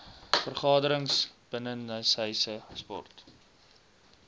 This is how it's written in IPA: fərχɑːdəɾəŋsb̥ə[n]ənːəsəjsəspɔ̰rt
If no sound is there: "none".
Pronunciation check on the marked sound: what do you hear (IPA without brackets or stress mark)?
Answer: n